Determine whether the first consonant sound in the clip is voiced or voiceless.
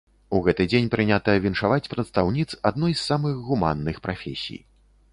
voiced